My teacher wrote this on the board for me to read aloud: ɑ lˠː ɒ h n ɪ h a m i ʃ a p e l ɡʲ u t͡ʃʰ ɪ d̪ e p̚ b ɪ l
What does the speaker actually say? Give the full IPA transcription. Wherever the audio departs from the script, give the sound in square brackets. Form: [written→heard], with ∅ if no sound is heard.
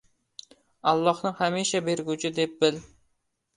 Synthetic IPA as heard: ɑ lˠː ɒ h n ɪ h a m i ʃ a [p→b] e [l→ɾ] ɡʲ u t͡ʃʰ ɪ d̪ e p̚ b ɪ l